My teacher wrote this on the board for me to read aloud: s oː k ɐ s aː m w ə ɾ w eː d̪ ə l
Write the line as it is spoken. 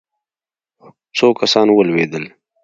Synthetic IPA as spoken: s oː k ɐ s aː n w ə l w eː d̪ ə l